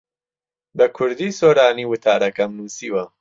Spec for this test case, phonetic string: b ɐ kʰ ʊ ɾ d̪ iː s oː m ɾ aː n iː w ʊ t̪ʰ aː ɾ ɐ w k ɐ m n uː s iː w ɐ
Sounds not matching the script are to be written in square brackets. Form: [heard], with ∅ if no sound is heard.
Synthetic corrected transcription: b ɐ kʰ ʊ ɾ d̪ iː s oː [∅] ɾ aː n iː w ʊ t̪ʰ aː ɾ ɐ [∅] k ɐ m n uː s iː w ɐ